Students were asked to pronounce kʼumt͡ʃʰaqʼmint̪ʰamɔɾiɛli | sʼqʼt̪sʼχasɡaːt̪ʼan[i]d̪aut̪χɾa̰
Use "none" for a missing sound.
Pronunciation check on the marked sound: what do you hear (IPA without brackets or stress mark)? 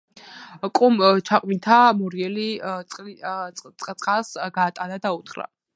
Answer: a